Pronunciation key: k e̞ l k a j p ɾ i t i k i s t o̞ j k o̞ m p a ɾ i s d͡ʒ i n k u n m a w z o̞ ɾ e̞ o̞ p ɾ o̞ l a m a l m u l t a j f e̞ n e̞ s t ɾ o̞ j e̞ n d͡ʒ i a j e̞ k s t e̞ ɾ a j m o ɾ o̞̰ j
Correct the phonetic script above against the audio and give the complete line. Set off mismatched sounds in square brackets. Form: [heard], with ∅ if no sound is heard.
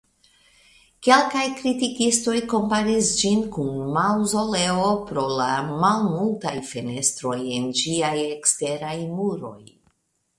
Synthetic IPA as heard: k e̞ l k a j [k] ɾ i t i k i s t o̞ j k o̞ m p a ɾ i s d͡ʒ i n k u n m a w z o̞ [l] e̞ o̞ p ɾ o̞ l a m a l m u l t a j f e̞ n e̞ s t ɾ o̞ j e̞ n d͡ʒ i a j e̞ k s t e̞ ɾ a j m [u] ɾ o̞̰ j

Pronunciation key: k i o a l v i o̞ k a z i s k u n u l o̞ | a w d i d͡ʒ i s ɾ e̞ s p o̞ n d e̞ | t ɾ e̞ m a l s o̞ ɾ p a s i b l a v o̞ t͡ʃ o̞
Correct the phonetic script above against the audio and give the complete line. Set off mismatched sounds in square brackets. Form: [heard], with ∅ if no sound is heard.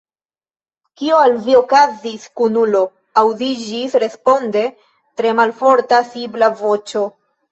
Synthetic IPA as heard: k i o a l v i o̞ k a z i s k u n u l o̞ | a w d i d͡ʒ i s ɾ e̞ s p o̞ n d e̞ | t ɾ e̞ m a l [f] o̞ ɾ [t] a s i b l a v o̞ t͡ʃ o̞

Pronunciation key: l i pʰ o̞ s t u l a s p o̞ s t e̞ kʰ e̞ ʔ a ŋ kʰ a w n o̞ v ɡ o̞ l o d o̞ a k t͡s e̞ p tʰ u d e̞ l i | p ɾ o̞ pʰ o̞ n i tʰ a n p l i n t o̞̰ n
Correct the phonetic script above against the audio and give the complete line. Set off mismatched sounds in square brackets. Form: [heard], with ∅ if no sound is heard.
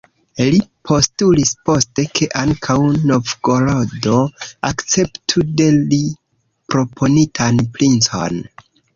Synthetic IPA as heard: l i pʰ o̞ s t u l [i] s p o̞ s t e̞ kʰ e̞ ʔ a ŋ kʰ a w n o̞ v ɡ o̞ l o d o̞ a k t͡s e̞ p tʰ u d e̞ l i | p ɾ o̞ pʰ o̞ n i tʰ a n p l i n [t͡s] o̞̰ n

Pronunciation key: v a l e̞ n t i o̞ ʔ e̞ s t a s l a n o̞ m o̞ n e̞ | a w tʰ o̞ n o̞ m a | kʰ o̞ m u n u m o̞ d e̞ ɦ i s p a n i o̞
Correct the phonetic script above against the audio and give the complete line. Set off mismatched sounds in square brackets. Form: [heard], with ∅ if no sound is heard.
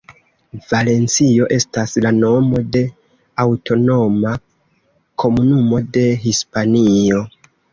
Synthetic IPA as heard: v a l e̞ n [t͡s] i o̞ ʔ e̞ s t a s l a n o̞ m o̞ [d] e̞ | a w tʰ o̞ n o̞ m a | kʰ o̞ m u n u m o̞ d e̞ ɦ i s p a n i o̞

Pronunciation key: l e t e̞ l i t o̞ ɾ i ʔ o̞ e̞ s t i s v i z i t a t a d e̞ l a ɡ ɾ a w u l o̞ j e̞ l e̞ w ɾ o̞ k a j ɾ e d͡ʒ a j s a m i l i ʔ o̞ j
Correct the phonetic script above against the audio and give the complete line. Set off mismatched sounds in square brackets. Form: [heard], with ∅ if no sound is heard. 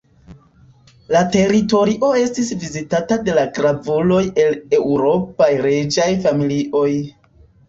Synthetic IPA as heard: l [a] t e̞ [ɾ] i t o̞ ɾ i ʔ o̞ e̞ s t i s v i z i t a t a d e̞ l a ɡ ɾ a [v] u l o̞ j e̞ l e̞ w ɾ o̞ [p] a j ɾ e d͡ʒ a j [f] a m i l i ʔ o̞ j

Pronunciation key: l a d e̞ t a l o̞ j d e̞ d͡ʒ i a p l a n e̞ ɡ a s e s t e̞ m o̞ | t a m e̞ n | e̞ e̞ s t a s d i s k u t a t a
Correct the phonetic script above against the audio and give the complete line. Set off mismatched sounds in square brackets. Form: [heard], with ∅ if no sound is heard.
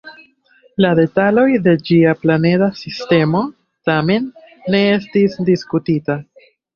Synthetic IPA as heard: l a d e̞ t a l o̞ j d e̞ d͡ʒ i a p l a n e̞ [d] a s [i] s t e̞ m o̞ | t a m e̞ [nː] | e̞ e̞ s t [i] s d i s k u t [i] t a

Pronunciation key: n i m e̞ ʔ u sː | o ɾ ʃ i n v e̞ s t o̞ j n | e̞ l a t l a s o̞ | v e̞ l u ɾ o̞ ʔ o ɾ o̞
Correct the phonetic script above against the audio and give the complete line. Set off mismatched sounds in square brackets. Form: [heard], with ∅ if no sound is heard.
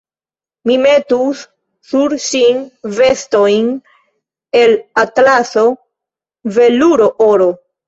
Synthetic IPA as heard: [m] i m e̞ [t] u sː | [u] ɾ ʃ i n v e̞ s t o̞ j n | e̞ l a t l a s o̞ | v e̞ l u ɾ o̞ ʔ o ɾ o̞

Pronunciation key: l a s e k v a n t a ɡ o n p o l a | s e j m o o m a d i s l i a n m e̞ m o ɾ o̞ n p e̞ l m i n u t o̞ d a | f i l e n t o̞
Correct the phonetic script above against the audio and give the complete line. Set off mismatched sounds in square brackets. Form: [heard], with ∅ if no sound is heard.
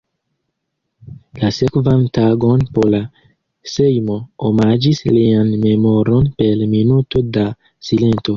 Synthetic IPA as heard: l a s e k v a n t a ɡ o n p o l a | s e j m o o m a [d͡ʒ] i s l i a n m e̞ m o ɾ o̞ n p e̞ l m i n u t o̞ d a | [s] i l e n t o̞

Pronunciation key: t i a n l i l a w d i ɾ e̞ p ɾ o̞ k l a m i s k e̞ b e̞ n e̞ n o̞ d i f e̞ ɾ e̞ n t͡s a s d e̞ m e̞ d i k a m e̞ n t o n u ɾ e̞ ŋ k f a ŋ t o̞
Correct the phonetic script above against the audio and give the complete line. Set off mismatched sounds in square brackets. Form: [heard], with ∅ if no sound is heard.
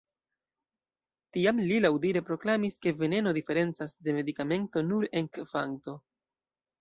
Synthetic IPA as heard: t i a [m] l i l a w d i ɾ e̞ p ɾ o̞ k l a m i s k e̞ [v] e̞ n e̞ n o̞ d i f e̞ ɾ e̞ n t͡s a s d e̞ m e̞ d i k a m e̞ n t o n u ɾ e̞ ŋ k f a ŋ t o̞

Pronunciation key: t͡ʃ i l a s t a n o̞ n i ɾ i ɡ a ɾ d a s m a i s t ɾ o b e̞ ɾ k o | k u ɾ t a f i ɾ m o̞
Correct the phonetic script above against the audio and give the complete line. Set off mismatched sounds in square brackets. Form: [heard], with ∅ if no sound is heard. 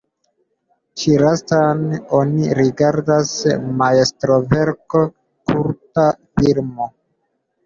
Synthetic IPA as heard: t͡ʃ i [ɾ] a s t a n o̞ n i ɾ i ɡ a ɾ d a s m a [e] s t ɾ o [v] e̞ ɾ k o | k u ɾ t a f i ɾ m o̞

